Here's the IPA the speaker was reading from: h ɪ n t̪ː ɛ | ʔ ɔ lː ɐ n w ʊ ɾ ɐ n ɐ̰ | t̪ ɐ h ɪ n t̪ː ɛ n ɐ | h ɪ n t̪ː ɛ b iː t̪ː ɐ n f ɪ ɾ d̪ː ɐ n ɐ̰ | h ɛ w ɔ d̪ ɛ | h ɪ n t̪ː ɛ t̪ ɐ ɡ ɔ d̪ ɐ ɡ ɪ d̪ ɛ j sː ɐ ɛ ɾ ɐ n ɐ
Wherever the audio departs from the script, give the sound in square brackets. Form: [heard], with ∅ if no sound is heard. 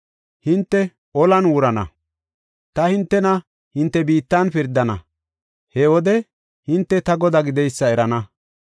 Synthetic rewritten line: h ɪ n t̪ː ɛ | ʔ ɔ [l] ɐ n w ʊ ɾ ɐ n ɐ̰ | t̪ ɐ h ɪ n t̪ː ɛ n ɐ | h ɪ n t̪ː ɛ b iː t̪ː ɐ n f ɪ ɾ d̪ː ɐ n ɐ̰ | h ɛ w ɔ d̪ ɛ | h ɪ n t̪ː ɛ t̪ ɐ ɡ ɔ d̪ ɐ ɡ ɪ d̪ ɛ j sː ɐ ɛ ɾ ɐ n ɐ